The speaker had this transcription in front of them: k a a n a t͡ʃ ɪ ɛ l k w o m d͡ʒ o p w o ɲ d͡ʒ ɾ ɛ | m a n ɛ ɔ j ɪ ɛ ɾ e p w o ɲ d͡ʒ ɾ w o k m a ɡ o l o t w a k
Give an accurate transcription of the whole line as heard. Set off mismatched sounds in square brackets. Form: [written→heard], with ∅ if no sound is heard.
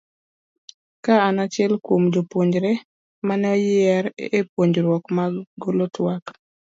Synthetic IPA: k a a n a t͡ʃ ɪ ɛ l k w o m d͡ʒ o p w o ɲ d͡ʒ ɾ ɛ | m a n ɛ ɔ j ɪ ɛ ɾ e p w o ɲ d͡ʒ ɾ w [o→ɔ] k m a ɡ o l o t w a k